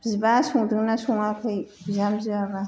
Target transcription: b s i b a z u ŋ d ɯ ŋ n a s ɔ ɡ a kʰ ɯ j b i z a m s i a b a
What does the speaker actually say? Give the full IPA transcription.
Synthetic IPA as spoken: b z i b a s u ŋ d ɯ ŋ n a s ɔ ŋ a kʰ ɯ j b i z a m z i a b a